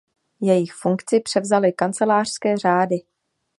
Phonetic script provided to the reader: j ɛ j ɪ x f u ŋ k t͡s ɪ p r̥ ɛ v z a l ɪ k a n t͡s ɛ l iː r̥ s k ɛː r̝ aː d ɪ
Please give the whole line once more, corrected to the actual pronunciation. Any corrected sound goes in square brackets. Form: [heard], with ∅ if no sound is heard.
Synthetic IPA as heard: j ɛ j ɪ x f u ŋ k t͡s ɪ p r̥ ɛ v z a l ɪ k a n t͡s ɛ l [aː] r̥ s k ɛː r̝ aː d ɪ